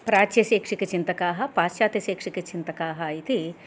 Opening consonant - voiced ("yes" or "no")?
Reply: no